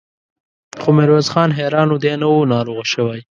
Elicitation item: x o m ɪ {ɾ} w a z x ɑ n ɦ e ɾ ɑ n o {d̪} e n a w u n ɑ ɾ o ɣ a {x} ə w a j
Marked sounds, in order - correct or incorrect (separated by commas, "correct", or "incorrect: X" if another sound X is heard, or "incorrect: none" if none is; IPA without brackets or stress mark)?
correct, correct, incorrect: ʃ